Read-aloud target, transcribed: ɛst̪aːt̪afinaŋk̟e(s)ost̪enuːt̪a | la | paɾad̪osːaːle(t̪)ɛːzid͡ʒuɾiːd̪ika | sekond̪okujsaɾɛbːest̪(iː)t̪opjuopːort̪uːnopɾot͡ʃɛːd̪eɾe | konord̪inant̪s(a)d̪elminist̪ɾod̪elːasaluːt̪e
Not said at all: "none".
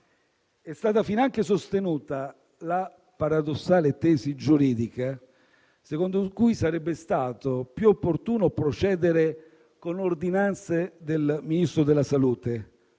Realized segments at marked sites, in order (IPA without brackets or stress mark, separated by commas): s, t̪, aː, e